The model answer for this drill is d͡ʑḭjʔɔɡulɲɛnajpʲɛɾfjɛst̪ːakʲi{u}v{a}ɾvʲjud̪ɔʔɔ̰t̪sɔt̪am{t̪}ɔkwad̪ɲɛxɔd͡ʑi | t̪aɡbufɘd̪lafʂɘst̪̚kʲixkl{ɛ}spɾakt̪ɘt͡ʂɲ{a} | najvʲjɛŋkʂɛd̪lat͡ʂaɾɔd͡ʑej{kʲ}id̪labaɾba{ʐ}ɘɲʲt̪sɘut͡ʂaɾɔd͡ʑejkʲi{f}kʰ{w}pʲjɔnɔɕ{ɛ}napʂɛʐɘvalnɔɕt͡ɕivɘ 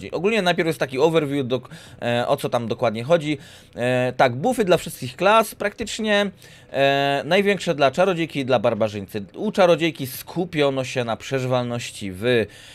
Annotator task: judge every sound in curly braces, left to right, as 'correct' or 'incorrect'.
incorrect: ɔ, incorrect: ɛ, incorrect: d̪, incorrect: a, incorrect: ɛ, correct, correct, incorrect: s, incorrect: u, correct

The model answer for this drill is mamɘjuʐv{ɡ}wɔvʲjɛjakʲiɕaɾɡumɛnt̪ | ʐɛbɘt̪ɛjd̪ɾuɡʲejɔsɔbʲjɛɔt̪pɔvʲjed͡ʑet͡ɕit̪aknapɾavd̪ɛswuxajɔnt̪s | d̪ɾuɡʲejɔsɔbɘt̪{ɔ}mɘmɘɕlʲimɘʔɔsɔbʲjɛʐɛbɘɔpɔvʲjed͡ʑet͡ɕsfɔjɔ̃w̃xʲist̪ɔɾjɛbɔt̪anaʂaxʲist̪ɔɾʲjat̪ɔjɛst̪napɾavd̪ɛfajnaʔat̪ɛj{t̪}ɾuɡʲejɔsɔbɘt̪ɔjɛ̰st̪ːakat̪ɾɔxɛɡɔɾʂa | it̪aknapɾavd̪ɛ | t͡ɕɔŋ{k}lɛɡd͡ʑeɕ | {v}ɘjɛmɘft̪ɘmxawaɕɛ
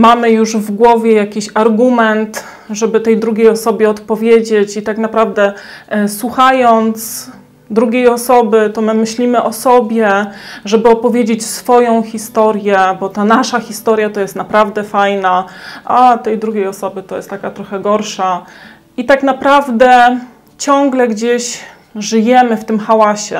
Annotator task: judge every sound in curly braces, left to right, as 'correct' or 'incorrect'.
correct, correct, incorrect: d̪, incorrect: ɡ, incorrect: ʐ

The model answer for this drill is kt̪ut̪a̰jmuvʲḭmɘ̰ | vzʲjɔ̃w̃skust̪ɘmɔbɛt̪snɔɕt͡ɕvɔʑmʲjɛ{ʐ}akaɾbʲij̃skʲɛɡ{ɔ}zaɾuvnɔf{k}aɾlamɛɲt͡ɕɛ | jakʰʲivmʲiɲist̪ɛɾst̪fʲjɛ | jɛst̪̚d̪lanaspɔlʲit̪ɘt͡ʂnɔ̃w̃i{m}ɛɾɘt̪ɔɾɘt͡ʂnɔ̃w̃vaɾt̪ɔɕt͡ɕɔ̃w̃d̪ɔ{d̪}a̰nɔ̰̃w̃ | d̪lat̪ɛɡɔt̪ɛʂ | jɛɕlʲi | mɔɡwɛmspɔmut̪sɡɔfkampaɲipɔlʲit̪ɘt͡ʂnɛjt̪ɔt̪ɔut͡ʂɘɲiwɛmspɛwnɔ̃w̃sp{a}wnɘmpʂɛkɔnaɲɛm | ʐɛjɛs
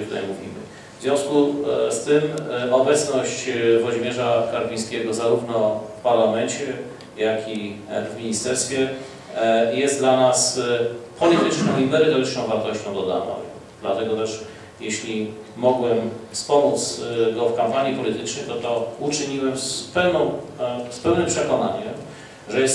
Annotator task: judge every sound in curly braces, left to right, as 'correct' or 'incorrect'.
correct, correct, incorrect: p, correct, correct, incorrect: ɛ

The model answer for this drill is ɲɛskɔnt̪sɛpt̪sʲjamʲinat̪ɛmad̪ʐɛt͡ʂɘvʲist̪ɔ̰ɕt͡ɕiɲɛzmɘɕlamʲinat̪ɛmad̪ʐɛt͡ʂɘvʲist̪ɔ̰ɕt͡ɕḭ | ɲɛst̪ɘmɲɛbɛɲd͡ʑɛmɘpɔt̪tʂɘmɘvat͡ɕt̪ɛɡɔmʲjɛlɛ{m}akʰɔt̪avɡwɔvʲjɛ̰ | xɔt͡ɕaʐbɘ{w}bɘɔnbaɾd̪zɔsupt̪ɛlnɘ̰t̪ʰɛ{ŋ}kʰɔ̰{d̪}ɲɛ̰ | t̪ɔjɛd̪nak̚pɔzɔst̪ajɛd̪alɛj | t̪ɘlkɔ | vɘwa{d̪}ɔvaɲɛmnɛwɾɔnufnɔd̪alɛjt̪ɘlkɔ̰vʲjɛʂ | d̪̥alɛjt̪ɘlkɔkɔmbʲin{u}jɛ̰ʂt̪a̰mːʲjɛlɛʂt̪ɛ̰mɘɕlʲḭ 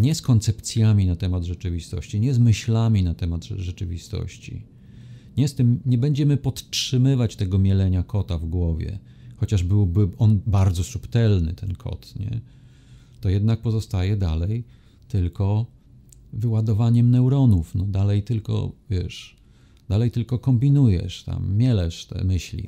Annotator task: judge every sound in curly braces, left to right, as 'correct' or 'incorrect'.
incorrect: ɲ, correct, incorrect: n, incorrect: t̪, correct, correct

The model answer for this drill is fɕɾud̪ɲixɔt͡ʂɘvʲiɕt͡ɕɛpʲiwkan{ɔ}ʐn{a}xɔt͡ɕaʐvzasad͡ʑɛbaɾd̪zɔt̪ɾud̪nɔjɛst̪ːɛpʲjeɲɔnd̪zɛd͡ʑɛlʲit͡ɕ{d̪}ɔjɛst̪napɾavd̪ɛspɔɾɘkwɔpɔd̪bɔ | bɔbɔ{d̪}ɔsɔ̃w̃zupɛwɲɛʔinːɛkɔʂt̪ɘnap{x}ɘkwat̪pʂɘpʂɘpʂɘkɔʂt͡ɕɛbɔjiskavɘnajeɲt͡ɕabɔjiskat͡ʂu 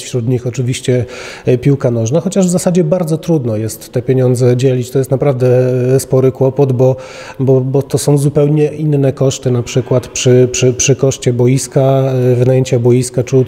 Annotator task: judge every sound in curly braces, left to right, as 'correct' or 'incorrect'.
correct, correct, incorrect: t̪, incorrect: t̪, incorrect: ʂ

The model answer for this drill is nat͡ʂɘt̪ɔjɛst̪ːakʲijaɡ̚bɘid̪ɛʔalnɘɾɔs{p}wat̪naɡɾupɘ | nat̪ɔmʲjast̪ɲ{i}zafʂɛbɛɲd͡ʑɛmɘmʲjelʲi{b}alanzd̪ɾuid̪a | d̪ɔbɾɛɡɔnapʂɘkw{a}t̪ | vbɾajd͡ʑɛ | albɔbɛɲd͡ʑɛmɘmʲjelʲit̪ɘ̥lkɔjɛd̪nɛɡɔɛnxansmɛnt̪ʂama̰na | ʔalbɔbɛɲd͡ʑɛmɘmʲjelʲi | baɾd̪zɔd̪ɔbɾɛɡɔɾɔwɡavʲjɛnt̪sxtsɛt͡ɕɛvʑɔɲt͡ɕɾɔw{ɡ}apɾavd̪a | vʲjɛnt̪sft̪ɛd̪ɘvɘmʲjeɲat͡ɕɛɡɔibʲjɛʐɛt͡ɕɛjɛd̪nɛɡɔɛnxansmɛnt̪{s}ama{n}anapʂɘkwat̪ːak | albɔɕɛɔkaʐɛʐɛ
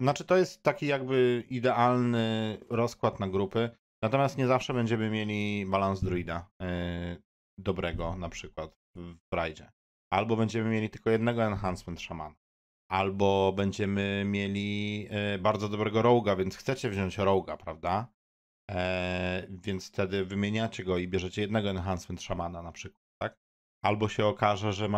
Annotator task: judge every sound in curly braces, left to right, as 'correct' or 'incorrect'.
incorrect: k, incorrect: ɛ, correct, correct, correct, incorrect: ʂ, correct

